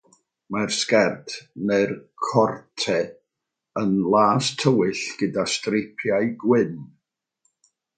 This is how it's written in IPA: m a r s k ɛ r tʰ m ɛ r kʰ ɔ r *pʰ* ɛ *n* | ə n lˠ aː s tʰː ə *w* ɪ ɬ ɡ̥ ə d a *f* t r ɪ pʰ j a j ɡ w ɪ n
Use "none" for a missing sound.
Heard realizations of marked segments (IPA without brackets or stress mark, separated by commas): tʰ, none, w, s